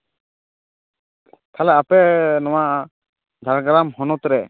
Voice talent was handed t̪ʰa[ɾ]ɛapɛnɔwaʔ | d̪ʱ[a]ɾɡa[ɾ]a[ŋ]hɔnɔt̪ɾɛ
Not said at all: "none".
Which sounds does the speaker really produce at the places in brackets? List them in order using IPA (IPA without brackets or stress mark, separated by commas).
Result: l, a, ɾ, m